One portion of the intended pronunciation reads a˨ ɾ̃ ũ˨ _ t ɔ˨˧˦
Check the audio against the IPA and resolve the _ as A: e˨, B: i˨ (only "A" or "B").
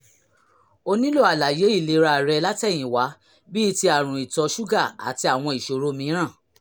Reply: B